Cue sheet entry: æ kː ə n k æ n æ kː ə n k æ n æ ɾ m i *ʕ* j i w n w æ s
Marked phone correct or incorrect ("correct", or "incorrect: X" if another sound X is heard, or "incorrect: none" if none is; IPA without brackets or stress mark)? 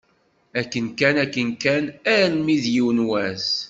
incorrect: ð